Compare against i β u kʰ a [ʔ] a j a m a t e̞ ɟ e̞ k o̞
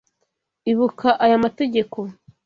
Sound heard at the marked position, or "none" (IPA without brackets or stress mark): ʔ